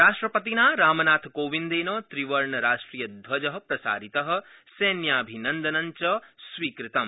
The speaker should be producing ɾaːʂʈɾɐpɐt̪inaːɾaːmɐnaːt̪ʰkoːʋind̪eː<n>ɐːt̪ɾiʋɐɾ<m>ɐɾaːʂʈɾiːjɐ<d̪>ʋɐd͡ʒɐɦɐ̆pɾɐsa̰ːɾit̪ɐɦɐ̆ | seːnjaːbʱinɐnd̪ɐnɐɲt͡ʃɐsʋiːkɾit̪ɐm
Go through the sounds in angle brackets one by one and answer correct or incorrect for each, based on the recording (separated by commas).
correct, incorrect, correct